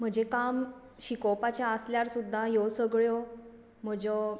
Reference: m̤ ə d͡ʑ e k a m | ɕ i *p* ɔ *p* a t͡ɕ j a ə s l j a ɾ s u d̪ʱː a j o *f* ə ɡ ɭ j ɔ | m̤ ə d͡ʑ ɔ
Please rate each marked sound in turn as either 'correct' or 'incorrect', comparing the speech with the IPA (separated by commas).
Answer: incorrect, correct, incorrect